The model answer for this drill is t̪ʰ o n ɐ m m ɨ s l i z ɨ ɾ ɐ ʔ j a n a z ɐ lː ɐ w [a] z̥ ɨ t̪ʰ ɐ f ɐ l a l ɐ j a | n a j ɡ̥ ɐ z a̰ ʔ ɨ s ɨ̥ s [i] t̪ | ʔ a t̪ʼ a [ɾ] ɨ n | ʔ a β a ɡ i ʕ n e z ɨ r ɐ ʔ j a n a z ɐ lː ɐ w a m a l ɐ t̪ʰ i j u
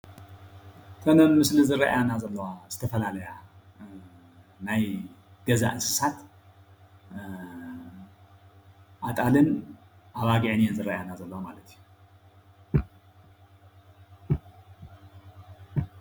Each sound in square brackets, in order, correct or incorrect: correct, incorrect: a, incorrect: l

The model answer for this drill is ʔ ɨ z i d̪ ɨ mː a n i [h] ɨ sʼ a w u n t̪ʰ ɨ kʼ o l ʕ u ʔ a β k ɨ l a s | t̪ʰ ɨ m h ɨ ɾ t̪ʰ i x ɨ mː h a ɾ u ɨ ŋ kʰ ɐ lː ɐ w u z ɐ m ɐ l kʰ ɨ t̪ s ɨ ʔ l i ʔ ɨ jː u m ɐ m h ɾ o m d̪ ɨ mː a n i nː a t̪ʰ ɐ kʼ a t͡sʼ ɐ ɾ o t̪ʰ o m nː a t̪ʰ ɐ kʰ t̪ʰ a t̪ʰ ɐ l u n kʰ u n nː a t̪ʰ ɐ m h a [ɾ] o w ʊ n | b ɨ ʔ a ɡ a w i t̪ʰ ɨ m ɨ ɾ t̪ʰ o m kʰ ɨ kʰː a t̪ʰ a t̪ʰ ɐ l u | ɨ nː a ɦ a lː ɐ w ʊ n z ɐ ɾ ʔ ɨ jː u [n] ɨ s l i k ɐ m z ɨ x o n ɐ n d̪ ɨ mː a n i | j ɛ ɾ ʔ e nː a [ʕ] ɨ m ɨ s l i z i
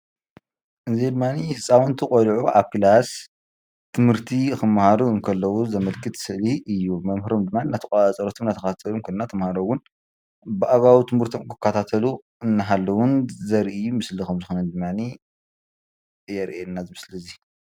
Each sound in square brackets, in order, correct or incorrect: correct, correct, incorrect: m, incorrect: z

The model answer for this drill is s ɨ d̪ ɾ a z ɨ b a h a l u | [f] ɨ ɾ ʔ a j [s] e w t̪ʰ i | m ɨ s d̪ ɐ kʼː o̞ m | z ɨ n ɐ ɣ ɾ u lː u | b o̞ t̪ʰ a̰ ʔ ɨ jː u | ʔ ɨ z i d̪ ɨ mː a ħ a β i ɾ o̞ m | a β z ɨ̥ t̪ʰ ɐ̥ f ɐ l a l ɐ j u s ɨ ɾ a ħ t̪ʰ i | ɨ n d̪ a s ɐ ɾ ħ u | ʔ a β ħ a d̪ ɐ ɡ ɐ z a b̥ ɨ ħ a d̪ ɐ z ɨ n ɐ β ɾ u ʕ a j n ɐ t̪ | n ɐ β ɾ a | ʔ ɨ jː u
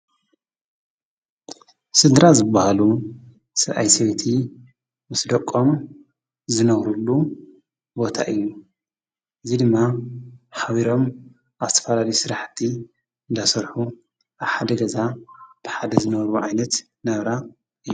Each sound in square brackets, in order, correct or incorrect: incorrect: s, correct

